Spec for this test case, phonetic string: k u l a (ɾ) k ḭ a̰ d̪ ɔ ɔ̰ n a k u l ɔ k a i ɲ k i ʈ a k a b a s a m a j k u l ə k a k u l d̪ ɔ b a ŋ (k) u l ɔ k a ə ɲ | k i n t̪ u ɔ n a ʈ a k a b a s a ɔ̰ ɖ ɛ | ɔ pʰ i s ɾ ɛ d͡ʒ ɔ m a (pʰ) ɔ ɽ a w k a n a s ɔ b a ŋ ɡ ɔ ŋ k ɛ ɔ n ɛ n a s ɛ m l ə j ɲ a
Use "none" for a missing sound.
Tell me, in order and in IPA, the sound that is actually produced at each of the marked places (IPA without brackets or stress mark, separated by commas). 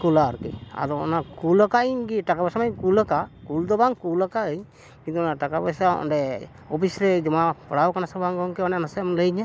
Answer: ɾ, k, p